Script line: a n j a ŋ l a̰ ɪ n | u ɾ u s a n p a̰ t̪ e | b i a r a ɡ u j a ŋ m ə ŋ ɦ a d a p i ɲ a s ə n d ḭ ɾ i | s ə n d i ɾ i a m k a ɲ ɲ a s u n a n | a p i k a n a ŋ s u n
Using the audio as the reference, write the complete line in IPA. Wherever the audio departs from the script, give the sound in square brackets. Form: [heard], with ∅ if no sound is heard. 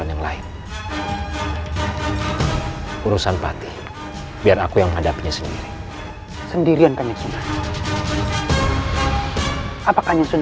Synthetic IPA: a n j a ŋ l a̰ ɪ n | u ɾ u s a n p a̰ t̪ [i] | b i a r a [k] u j a ŋ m ə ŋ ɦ a d a p i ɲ a s ə n d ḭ ɾ i | s ə n d i ɾ i a [n] k a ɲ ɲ a s u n a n | a p [a] k a [ɲ] a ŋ s u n